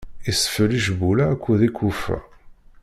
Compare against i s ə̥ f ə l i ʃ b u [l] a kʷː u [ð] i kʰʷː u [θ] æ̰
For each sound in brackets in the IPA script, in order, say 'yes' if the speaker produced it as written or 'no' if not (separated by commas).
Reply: yes, yes, no